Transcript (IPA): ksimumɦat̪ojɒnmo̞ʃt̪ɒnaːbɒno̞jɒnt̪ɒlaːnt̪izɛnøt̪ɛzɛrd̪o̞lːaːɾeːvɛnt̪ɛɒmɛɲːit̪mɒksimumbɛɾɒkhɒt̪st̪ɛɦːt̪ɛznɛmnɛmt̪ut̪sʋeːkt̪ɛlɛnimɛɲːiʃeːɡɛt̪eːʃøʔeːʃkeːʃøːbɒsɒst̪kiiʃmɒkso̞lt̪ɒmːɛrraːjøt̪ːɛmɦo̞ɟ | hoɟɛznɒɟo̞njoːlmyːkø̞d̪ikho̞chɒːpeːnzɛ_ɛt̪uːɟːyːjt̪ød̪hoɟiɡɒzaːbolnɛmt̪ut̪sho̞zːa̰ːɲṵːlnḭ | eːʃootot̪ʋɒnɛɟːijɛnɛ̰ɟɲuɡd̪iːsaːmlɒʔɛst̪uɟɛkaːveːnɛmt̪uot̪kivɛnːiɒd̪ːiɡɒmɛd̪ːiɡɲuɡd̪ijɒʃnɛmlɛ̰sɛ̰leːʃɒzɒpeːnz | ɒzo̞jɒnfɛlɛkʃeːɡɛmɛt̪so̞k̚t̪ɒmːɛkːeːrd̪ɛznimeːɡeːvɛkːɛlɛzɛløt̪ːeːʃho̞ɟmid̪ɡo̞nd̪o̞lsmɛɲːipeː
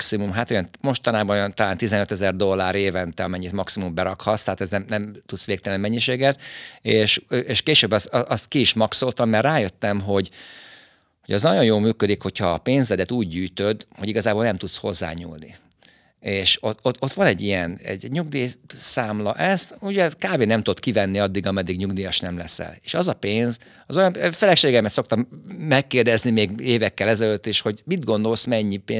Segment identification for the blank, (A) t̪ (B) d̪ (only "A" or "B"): B